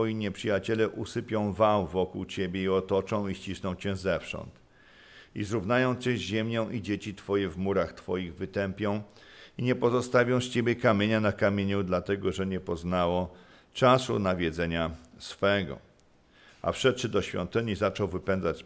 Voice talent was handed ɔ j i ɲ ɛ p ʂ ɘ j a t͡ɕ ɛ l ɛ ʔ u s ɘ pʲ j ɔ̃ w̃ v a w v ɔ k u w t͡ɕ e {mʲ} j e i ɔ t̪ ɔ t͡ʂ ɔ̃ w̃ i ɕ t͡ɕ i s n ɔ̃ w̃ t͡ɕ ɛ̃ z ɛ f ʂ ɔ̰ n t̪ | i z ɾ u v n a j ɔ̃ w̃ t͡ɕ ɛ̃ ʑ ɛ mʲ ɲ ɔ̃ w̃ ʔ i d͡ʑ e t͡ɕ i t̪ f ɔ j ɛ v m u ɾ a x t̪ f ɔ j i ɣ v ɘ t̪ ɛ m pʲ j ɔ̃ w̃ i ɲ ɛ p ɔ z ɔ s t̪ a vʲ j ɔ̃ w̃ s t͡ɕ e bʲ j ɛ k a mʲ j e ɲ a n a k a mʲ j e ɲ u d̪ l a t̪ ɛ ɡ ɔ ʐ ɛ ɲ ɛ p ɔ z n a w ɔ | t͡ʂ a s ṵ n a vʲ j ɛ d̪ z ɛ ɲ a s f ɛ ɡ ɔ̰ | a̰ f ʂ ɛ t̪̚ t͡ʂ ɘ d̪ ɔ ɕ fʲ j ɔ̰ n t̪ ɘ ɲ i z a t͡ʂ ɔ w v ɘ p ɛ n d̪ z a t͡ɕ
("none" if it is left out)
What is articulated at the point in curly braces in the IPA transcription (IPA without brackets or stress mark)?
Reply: bʲ